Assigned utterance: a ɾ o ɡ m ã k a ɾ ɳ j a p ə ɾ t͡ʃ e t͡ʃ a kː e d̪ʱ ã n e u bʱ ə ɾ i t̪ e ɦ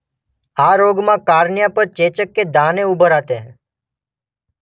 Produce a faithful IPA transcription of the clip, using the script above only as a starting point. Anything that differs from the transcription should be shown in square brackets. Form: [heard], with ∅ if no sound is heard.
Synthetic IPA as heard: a ɾ o ɡ m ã k a ɾ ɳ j a p ə ɾ t͡ʃ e t͡ʃ [ə] kː e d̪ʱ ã n e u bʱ ə ɾ [a] t̪ e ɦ

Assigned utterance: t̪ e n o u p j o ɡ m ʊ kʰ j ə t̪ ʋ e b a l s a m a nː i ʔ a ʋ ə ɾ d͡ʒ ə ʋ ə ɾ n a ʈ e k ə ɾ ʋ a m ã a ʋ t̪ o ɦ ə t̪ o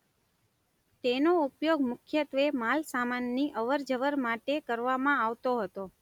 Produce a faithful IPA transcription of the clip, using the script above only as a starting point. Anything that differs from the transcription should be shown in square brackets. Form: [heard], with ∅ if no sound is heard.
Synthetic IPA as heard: t̪ e n o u p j o ɡ m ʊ kʰ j ə t̪ ʋ e [m] a l s a m a nː i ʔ [ə] ʋ ə ɾ d͡ʒ ə ʋ ə ɾ [m] a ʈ e k ə ɾ ʋ a m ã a ʋ t̪ o ɦ ə t̪ o

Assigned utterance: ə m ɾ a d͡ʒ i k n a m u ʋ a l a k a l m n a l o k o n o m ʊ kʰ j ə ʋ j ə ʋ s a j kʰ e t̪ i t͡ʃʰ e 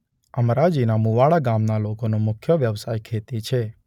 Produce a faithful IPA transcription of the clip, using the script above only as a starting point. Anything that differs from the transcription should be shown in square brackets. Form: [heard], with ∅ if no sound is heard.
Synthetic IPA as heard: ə m ɾ a d͡ʒ i [∅] n a m u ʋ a [ɭ] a [ɡ] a [∅] m n a l o k o n o m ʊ kʰ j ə ʋ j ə ʋ s a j kʰ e t̪ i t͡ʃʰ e

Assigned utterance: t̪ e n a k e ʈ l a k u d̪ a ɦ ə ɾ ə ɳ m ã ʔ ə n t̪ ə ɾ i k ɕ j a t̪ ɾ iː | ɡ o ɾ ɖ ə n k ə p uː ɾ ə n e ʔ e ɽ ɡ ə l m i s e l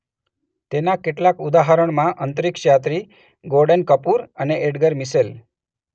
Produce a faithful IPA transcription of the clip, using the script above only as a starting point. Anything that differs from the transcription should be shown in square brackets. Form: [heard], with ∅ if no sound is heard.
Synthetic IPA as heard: t̪ e n a k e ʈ l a k u d̪ a ɦ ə ɾ ə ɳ m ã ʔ ə n t̪ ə ɾ i k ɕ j a t̪ ɾ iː | ɡ o ɾ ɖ ə n k ə p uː ɾ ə n e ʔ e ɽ ɡ ə [ɾ] m i s e l

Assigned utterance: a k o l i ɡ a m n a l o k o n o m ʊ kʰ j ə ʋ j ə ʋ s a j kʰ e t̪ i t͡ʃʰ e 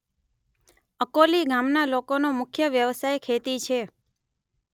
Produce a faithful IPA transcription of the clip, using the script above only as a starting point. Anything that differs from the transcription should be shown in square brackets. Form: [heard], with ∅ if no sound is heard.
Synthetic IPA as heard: [ə] k o l i ɡ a m n a l o k o n o m ʊ kʰ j ə ʋ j ə ʋ s a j kʰ e t̪ i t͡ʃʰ e

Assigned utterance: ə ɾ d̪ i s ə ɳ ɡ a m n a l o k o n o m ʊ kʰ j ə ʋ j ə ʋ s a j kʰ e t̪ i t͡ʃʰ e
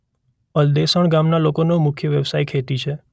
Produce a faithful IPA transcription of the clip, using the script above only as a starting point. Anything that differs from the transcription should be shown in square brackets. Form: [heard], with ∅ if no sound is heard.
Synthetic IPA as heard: ə [l] d̪ [e] s ə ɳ ɡ a m n a l o k o n o m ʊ kʰ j ə ʋ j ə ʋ s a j kʰ e t̪ i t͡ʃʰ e

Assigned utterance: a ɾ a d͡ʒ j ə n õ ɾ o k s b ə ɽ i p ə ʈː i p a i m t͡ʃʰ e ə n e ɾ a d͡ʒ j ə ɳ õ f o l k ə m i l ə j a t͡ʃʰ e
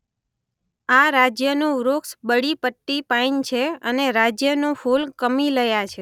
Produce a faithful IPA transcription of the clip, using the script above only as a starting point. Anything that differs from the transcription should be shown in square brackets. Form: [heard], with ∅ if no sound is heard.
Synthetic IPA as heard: a ɾ a d͡ʒ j ə n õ ɾ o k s b ə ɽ i p ə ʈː i p a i [n] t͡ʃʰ e ə n e ɾ a d͡ʒ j ə [n] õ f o l k ə m i l ə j a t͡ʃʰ e

